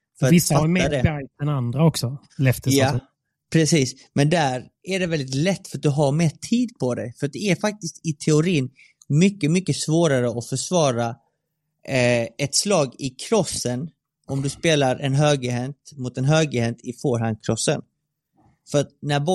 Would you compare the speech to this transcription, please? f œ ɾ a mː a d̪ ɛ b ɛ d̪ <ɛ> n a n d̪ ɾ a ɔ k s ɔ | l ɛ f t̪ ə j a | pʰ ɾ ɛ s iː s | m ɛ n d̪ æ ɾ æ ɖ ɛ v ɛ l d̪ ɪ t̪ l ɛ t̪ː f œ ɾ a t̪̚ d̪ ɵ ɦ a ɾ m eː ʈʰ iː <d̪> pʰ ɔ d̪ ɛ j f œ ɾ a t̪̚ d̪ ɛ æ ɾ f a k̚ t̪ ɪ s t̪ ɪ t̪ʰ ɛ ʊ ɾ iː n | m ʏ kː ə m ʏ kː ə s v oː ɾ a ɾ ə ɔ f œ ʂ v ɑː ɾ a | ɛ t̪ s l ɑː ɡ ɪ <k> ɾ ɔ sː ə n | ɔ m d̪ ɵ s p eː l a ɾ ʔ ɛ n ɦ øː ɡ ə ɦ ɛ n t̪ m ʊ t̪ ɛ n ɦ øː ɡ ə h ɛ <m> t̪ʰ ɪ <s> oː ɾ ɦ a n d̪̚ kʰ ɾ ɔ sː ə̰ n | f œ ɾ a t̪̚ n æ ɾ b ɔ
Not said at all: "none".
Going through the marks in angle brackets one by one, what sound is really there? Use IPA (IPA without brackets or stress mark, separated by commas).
ɛ, d̪, kʰ, n, f